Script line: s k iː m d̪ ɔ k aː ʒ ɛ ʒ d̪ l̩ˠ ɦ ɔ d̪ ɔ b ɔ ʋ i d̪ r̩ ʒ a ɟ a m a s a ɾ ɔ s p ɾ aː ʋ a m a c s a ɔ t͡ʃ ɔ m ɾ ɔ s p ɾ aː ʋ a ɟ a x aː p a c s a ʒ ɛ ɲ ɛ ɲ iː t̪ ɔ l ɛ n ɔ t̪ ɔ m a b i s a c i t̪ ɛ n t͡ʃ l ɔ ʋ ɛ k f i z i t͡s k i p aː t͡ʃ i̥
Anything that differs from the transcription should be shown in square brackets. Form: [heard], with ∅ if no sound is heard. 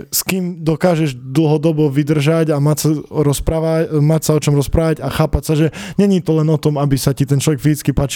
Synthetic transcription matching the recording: s k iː m d̪ ɔ k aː ʒ ɛ ʒ d̪ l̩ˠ ɦ ɔ d̪ ɔ b ɔ ʋ i d̪ r̩ ʒ a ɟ a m a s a ɾ ɔ s p ɾ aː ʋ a m a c s a ɔ t͡ʃ ɔ m ɾ ɔ s p ɾ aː ʋ a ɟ a x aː p a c s a ʒ ɛ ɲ ɛ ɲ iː t̪ ɔ l ɛ n ɔ t̪ ɔ m a b i s a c i t̪ ɛ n t͡ʃ l ɔ ʋ ɛ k f i z i t͡s k i p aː t͡ʃ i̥